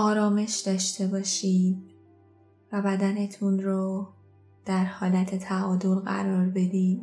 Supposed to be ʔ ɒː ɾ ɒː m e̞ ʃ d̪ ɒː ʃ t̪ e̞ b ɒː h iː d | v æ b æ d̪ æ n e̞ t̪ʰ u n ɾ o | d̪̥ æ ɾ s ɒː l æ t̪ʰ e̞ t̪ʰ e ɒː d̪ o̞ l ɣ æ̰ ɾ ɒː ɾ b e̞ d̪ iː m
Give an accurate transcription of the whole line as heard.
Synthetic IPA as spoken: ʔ ɒː ɾ ɒː m e̞ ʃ d̪ ɒː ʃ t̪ e̞ b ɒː ʃ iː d | v æ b æ d̪ æ n e̞ t̪ʰ u n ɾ o | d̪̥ æ ɾ h ɒː l æ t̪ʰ e̞ t̪ʰ æ ɒː d̪ o̞ l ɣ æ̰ ɾ ɒː ɾ b e̞ d̪ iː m